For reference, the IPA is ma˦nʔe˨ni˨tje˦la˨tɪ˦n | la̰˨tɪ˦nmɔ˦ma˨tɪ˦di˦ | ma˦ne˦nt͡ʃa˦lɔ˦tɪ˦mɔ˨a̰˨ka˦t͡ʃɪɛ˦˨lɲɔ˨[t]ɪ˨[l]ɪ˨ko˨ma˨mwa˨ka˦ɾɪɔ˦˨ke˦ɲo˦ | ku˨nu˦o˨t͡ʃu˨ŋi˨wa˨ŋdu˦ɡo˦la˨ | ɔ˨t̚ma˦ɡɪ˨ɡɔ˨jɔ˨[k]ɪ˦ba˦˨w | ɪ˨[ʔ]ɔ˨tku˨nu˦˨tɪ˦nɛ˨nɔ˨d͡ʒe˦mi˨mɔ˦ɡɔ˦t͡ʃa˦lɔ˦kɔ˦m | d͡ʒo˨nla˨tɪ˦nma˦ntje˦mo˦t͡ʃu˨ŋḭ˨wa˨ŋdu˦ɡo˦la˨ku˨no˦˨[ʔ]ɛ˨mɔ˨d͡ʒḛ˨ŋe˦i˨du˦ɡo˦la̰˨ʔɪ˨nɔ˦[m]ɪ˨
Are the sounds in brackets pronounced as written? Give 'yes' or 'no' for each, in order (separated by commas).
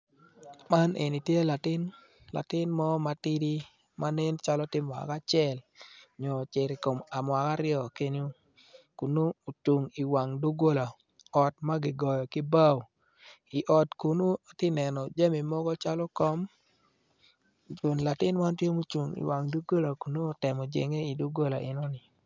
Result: no, no, yes, yes, no, no